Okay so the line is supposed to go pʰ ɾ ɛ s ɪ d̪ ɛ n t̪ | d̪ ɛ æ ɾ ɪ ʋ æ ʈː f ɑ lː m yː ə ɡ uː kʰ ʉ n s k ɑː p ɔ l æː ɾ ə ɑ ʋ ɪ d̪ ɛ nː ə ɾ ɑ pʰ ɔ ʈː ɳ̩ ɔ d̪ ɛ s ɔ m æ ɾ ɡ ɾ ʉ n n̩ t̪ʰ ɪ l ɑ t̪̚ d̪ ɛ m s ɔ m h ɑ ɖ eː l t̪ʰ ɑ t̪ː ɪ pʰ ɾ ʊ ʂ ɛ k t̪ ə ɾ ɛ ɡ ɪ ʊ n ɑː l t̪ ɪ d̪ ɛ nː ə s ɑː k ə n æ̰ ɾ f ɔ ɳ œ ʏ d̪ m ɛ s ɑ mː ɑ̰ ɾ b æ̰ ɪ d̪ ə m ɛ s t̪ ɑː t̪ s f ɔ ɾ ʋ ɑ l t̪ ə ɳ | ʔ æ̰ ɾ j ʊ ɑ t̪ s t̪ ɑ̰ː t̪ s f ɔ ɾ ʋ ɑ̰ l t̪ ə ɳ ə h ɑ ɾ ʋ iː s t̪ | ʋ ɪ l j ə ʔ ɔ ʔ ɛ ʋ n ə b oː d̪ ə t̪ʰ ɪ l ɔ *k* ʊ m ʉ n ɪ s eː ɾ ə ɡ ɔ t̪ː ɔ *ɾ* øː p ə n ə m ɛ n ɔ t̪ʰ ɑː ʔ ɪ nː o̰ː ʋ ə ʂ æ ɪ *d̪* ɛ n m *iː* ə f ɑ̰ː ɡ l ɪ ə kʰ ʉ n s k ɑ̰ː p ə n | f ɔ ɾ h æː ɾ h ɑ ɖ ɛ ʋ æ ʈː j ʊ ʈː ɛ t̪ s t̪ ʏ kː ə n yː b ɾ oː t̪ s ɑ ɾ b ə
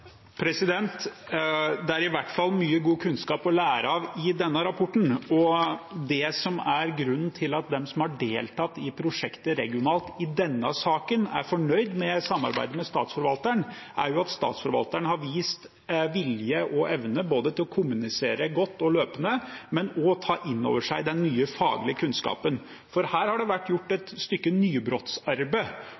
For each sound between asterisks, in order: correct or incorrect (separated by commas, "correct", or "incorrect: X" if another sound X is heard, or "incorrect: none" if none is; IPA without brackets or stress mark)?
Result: incorrect: kʰ, incorrect: l, correct, incorrect: yː